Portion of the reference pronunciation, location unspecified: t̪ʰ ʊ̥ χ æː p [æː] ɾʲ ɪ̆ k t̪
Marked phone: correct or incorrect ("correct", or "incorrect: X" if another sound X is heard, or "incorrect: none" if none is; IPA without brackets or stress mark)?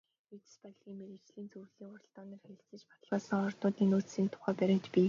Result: incorrect: æ